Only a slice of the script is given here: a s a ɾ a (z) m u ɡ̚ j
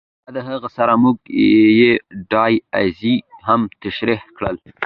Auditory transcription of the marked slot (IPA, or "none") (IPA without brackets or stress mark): none